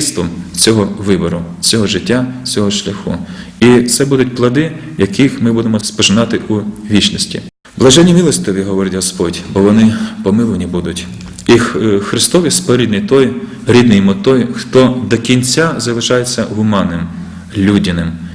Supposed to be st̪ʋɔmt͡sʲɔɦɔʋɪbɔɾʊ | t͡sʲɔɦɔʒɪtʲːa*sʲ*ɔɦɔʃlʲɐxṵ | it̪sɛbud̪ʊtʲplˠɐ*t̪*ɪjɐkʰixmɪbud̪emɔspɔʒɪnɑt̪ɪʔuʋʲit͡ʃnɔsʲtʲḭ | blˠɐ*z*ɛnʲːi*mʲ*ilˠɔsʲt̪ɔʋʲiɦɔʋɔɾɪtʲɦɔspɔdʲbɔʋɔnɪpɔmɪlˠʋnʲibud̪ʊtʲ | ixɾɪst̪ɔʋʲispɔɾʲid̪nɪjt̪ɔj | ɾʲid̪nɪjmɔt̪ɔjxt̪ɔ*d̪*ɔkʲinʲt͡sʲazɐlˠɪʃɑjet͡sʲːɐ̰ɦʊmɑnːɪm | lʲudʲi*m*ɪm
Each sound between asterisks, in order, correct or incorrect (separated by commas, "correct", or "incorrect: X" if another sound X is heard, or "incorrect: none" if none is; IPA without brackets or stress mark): incorrect: t͡sʲ, incorrect: d̪, incorrect: ʒ, correct, correct, incorrect: n